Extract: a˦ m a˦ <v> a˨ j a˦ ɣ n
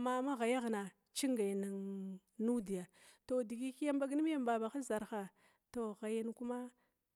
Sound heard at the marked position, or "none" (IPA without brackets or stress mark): ɣ